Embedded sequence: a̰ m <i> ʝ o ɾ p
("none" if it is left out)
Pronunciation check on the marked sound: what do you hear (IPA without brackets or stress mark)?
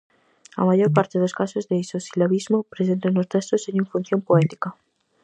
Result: a